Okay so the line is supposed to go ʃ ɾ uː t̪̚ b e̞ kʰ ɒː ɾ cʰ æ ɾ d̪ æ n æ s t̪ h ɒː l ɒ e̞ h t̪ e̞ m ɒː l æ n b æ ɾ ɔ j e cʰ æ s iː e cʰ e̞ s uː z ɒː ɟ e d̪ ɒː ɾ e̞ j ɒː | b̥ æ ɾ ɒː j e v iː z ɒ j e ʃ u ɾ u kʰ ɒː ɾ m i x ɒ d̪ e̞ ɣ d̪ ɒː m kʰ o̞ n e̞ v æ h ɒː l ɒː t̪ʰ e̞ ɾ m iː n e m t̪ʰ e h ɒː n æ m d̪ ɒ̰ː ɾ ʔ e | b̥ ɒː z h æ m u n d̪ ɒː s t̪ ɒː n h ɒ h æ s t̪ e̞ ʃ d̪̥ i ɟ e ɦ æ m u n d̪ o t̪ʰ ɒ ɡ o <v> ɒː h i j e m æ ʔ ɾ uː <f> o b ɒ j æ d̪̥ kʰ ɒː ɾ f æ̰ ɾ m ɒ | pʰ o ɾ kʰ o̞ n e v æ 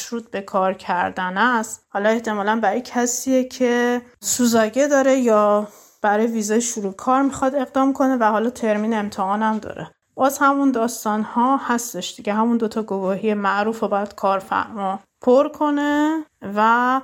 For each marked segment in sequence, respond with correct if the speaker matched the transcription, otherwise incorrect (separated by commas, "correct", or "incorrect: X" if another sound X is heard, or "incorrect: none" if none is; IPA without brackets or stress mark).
correct, correct